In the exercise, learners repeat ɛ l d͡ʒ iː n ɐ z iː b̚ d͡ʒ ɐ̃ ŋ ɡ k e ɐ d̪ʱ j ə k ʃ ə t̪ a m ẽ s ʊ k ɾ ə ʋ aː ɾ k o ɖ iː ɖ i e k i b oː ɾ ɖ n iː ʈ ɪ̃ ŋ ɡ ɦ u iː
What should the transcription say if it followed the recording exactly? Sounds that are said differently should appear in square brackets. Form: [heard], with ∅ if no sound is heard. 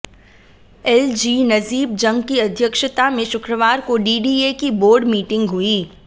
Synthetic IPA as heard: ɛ l d͡ʒ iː n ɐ z iː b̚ d͡ʒ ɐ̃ ŋ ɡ k [i] ɐ d̪ʱ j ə k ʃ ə t̪ a m ẽ [ʃ] ʊ k ɾ ə ʋ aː ɾ k o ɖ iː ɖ i e k i b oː ɾ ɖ [m] iː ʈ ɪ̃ ŋ ɡ ɦ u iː